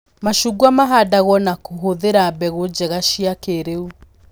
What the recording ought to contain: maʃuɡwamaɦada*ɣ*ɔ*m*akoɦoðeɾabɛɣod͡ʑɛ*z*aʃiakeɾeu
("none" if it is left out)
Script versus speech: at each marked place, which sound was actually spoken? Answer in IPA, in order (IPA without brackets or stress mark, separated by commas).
ɣ, n, ɣ